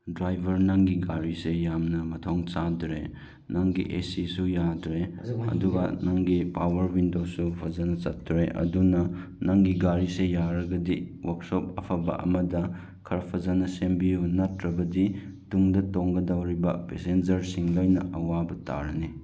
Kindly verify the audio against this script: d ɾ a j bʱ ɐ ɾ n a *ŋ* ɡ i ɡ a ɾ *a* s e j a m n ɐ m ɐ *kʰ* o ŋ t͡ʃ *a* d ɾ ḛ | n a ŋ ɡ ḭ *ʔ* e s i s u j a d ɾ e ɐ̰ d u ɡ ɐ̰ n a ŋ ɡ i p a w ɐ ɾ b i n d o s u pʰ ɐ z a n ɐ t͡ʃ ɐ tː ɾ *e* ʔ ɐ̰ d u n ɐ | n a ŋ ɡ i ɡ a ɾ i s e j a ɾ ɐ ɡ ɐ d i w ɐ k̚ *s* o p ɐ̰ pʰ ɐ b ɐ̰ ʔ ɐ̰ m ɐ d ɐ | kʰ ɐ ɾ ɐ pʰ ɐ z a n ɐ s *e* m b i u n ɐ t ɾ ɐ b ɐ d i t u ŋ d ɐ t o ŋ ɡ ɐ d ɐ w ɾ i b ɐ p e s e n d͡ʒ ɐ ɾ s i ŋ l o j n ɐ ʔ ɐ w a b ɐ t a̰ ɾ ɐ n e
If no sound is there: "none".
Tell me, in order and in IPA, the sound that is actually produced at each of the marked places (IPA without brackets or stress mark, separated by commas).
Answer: ŋ, i, tʰ, a, ʔ, e, s, e